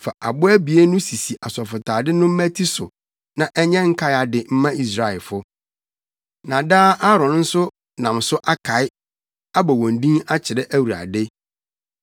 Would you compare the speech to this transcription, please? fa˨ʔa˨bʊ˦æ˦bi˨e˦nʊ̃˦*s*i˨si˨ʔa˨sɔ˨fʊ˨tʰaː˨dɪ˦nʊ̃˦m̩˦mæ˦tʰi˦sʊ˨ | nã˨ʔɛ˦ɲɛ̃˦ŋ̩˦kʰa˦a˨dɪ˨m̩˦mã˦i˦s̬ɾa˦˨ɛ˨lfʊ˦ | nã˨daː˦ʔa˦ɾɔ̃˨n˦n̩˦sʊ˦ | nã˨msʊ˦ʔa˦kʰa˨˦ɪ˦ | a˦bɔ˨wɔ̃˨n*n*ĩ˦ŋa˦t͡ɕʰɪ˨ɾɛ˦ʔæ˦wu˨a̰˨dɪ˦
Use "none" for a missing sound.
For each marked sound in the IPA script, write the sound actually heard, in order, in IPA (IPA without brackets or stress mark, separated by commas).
s, d